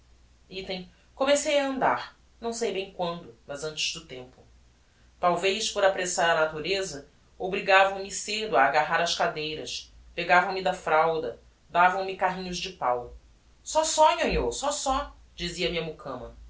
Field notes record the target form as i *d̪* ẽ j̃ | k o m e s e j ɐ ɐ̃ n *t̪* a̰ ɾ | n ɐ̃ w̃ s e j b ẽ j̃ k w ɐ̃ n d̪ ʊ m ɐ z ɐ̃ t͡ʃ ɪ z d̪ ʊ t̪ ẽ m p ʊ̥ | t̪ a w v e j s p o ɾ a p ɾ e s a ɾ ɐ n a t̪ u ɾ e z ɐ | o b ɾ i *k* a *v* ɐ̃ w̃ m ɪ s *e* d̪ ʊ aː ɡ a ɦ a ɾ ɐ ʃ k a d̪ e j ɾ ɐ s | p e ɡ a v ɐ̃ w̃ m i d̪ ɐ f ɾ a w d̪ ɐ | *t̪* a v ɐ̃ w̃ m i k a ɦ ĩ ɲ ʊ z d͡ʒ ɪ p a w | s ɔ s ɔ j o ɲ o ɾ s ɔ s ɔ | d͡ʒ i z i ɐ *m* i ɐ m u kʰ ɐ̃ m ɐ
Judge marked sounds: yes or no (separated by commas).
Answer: no, no, no, yes, yes, no, yes